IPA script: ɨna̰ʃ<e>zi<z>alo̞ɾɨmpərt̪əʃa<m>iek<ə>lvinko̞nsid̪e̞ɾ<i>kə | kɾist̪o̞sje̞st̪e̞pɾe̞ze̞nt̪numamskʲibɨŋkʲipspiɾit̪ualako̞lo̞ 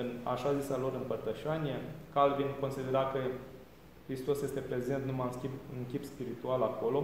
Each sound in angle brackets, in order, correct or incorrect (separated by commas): incorrect, incorrect, incorrect, incorrect, incorrect